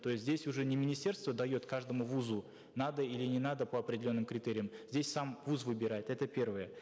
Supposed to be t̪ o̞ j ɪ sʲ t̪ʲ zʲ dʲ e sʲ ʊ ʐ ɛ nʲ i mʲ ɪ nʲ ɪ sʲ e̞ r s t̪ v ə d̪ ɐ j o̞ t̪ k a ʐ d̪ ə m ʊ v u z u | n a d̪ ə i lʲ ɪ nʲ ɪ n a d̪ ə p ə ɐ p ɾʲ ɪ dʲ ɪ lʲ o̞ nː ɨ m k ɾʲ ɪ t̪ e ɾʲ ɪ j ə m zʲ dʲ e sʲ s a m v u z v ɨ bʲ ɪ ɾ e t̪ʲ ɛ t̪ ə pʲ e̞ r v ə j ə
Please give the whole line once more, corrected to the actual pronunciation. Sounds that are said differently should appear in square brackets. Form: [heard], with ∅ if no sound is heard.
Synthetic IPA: t̪ o̞ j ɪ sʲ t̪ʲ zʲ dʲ e sʲ ʊ ʐ ɛ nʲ [ɪ] mʲ ɪ nʲ ɪ sʲ e̞ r s t̪ v ə d̪ ɐ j o̞ t̪ k a ʐ d̪ ə m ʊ v u z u | n a d̪ ə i lʲ ɪ nʲ ɪ n a d̪ ə p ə ɐ p ɾʲ ɪ dʲ ɪ lʲ o̞ nː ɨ m k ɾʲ ɪ t̪ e ɾʲ ɪ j ə m zʲ dʲ e sʲ s a m v u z v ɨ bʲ ɪ ɾ [a] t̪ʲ ɛ t̪ ə pʲ e̞ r v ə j ə